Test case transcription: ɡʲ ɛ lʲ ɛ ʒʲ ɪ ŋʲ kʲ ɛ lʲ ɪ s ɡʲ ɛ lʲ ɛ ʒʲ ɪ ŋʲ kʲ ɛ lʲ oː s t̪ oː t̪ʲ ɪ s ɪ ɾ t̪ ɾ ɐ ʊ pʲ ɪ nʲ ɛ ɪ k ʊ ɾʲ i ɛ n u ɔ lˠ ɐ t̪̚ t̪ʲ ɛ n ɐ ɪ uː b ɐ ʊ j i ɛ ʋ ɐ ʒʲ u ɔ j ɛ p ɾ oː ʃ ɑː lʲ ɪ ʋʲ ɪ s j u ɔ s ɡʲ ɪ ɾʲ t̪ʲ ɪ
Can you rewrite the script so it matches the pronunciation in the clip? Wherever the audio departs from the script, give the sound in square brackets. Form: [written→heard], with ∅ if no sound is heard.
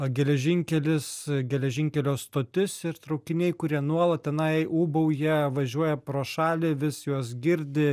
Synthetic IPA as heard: ɡʲ ɛ lʲ ɛ ʒʲ ɪ ŋʲ kʲ ɛ lʲ ɪ s ɡʲ ɛ lʲ ɛ ʒʲ ɪ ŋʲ kʲ ɛ lʲ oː s t̪ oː t̪ʲ ɪ s ɪ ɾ t̪ ɾ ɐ ʊ [pʲ→kʲ] ɪ nʲ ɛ ɪ k ʊ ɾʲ i ɛ n u ɔ lˠ ɐ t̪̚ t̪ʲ ɛ n ɐ ɪ uː b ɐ ʊ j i ɛ ʋ ɐ ʒʲ u ɔ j ɛ p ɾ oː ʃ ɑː lʲ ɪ ʋʲ ɪ s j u ɔ s ɡʲ ɪ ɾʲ [t̪ʲ→d̪ʲ] ɪ